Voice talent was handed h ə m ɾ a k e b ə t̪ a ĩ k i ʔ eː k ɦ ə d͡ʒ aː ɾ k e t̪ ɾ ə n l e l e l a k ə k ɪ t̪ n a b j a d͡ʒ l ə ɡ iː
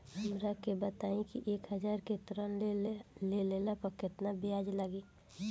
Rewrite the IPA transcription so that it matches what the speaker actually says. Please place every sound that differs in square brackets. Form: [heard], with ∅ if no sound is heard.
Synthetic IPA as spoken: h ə m ɾ a k e b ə t̪ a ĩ k i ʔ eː k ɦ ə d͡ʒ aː ɾ k e t̪ ɾ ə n l e l e l a [p] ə k ɪ t̪ n a b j a d͡ʒ l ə ɡ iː